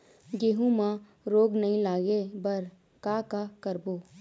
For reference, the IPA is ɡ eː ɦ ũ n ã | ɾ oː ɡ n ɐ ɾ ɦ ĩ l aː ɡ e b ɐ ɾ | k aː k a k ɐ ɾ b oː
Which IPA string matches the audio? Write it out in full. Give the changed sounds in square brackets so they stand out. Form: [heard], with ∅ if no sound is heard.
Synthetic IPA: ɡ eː ɦ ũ [m] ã | ɾ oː ɡ n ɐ [∅] ɦ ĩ l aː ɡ e b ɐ ɾ | k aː k a k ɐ ɾ b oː

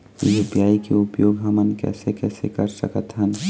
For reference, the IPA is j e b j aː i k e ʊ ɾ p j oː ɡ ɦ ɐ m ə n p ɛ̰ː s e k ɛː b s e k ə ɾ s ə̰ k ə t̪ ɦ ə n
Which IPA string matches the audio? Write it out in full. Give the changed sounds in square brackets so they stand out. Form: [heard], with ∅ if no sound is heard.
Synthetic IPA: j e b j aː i k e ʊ [∅] p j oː ɡ ɦ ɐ m ə n [k] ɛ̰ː s e k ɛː [∅] s e k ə ɾ s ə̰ k ə t̪ ɦ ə n

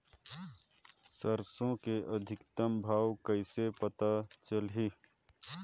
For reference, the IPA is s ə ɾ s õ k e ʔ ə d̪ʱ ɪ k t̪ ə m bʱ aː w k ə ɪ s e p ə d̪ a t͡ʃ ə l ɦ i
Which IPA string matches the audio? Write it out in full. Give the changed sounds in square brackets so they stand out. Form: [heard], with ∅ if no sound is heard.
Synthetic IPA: s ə ɾ s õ k e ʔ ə d̪ʱ ɪ k t̪ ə m bʱ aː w k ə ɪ s e p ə [t̪] a t͡ʃ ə l ɦ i

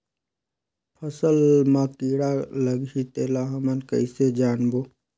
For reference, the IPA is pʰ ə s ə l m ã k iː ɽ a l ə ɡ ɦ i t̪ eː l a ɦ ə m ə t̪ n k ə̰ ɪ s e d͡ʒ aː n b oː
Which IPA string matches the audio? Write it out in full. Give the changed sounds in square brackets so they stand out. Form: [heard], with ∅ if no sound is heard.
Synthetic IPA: pʰ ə s ə l m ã k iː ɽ a l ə ɡ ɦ i t̪ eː l a ɦ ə m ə [∅] n k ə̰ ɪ s e d͡ʒ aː n b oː

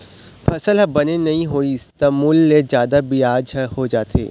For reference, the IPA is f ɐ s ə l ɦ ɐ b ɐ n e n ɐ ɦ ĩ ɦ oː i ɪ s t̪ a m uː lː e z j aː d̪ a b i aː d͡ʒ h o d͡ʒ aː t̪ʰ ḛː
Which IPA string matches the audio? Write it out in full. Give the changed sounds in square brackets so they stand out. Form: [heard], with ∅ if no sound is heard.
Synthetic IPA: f ɐ s ə l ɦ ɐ b ɐ n e n ɐ ɦ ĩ ɦ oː i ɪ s t̪ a m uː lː e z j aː d̪ a b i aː d͡ʒ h o d͡ʒ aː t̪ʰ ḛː

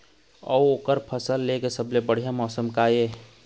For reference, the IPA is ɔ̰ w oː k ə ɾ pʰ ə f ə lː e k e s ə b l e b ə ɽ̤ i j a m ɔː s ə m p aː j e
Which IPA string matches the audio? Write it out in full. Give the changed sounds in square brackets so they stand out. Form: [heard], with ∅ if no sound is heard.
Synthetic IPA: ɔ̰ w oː k ə ɾ pʰ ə [s] ə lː e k e s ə b l e b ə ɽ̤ i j a m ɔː s ə m [k] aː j e

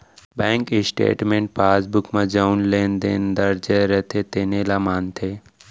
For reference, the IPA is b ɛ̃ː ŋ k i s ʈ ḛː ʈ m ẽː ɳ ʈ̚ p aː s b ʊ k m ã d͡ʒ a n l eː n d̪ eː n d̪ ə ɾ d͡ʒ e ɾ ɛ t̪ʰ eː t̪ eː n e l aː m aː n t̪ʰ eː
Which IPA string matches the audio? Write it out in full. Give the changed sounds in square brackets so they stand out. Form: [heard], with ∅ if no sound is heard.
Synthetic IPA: b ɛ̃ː ŋ k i s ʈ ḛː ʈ m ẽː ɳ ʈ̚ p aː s b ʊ k m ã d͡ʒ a n l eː n d̪ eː n d̪ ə ɾ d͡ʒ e ɾ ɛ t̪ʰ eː t̪ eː n e l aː m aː n t̪ʰ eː

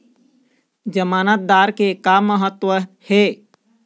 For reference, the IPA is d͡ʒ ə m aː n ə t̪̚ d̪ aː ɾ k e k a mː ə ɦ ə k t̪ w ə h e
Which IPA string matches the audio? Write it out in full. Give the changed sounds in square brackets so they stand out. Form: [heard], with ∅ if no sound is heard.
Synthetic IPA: d͡ʒ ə m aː n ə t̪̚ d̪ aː ɾ k e k a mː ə ɦ ə [∅] t̪ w ə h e

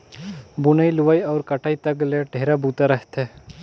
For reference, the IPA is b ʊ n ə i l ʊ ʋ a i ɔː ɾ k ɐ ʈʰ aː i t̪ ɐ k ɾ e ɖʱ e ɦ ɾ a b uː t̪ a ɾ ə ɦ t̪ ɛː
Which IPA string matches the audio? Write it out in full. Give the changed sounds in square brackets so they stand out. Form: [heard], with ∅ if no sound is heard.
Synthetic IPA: b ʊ n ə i l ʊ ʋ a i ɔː ɾ k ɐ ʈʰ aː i t̪ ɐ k [l] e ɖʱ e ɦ ɾ a b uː t̪ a ɾ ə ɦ t̪ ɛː

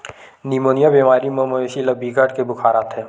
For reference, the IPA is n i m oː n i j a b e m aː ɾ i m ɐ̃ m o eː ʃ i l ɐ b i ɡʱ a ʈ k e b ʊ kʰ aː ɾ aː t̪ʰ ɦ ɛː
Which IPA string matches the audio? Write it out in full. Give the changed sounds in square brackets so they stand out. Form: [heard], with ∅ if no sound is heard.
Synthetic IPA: n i m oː n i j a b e m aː ɾ i m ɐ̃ m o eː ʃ i l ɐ b i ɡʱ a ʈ k e b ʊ kʰ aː ɾ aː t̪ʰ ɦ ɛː

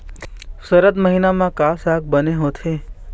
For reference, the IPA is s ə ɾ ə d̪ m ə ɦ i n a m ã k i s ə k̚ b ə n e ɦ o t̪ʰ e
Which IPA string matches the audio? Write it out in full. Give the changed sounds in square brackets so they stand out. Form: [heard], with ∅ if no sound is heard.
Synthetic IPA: s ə ɾ ə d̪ m ə ɦ i n a m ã k [a] s [a] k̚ b ə n e ɦ o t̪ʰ e

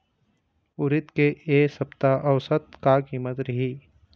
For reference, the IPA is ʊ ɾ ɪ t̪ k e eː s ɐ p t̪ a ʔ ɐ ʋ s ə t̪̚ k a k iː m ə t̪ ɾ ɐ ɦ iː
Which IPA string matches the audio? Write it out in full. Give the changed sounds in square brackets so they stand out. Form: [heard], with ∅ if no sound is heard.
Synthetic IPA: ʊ ɾ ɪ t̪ k e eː s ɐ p t̪ a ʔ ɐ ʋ s ə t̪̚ k a k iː m ə t̪ ɾ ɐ ɦ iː

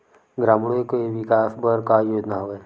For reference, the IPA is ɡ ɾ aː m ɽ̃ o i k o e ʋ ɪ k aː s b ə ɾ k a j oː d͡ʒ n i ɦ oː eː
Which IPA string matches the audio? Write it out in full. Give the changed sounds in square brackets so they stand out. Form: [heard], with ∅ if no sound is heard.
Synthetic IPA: ɡ ɾ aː m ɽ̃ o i k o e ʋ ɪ k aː s b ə ɾ k a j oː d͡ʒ n [a] ɦ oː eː

